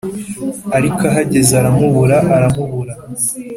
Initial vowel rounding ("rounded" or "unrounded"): unrounded